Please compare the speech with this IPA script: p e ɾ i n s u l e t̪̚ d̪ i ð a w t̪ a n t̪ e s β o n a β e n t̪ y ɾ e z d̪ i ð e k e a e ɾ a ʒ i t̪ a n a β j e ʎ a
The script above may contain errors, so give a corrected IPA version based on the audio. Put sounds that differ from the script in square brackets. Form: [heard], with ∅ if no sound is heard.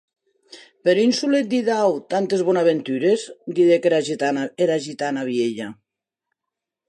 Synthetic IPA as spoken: p e ɾ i n s u l e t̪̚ d̪ i ð a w t̪ a n t̪ e [z] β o n a β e n t̪ y ɾ e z d̪ i ð e k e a e ɾ a ʒ i t̪ a n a β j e ʎ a